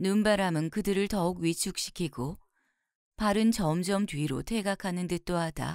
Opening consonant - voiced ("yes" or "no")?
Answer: yes